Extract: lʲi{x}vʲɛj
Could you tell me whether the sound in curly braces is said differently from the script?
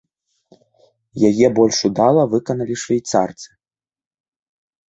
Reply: yes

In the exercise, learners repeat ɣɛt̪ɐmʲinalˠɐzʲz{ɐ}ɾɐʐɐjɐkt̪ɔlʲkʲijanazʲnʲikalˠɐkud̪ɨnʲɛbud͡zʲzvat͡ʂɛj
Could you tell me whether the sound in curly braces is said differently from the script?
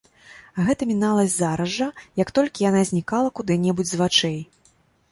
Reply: yes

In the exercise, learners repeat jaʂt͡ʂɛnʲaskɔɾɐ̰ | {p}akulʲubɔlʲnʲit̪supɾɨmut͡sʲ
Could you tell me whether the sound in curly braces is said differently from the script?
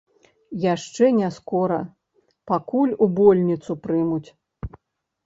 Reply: no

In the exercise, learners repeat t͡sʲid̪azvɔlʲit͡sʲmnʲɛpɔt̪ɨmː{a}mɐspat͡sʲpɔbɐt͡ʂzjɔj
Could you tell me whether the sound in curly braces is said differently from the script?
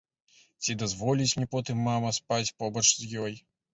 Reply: no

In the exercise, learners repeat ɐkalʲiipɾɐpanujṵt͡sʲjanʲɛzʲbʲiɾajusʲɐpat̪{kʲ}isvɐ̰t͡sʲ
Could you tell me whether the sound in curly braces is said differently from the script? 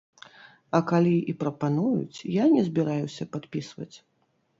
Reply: yes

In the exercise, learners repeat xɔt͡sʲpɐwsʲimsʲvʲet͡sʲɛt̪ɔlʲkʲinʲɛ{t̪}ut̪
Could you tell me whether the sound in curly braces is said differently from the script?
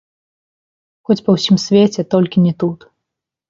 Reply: no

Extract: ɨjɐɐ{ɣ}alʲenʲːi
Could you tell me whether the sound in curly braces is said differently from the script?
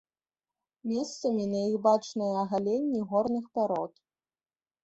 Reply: no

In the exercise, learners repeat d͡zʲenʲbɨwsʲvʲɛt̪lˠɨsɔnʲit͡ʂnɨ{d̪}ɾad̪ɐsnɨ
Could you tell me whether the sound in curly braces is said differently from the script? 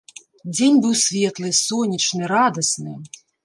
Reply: yes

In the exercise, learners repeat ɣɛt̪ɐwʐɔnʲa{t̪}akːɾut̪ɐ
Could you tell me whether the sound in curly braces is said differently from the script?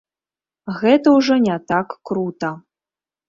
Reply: no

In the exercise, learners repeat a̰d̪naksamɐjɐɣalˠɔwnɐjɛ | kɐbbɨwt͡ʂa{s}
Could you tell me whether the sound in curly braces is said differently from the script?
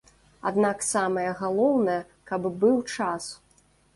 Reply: no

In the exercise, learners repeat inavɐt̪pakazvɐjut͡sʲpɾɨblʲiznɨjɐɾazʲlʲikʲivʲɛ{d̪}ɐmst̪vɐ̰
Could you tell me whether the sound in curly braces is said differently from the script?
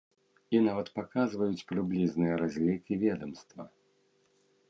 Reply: no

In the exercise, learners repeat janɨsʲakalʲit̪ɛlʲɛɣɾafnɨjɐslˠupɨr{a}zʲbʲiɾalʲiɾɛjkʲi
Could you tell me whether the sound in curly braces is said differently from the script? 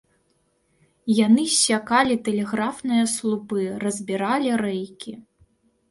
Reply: yes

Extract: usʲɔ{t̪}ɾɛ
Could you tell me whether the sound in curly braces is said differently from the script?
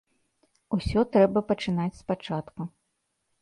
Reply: no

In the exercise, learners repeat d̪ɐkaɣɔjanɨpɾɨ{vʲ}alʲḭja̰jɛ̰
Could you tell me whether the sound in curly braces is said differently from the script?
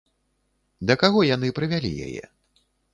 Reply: no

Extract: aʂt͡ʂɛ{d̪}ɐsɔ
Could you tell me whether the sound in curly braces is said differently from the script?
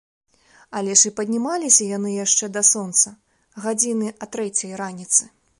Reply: no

